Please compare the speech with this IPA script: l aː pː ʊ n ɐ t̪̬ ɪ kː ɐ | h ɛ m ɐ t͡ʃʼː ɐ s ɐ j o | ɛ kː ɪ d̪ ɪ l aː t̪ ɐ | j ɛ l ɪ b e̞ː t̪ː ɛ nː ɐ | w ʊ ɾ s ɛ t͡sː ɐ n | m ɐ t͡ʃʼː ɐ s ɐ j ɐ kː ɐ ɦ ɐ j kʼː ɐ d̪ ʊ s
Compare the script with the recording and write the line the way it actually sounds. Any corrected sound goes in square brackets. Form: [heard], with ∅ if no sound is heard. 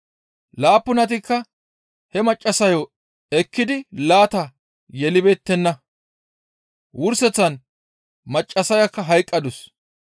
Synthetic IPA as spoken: l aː pː ʊ n ɐ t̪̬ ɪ kː ɐ | h ɛ m ɐ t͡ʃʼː ɐ s ɐ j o | ɛ kː ɪ d̪ ɪ l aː t̪ ɐ | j ɛ l ɪ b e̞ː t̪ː ɛ nː ɐ | w ʊ ɾ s ɛ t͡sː ɐ n | m ɐ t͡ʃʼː ɐ s ɐ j ɐ kː ɐ ɦ ɐ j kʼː ɐ d̪ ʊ s